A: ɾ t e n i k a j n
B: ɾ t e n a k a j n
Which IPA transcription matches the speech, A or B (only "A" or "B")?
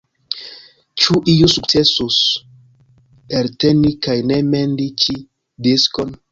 A